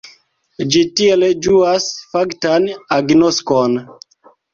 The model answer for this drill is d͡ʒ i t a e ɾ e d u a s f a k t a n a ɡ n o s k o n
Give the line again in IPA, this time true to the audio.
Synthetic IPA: d͡ʒ i t i e l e d͡ʒ u a s f a k t a n a ɡ n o s k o n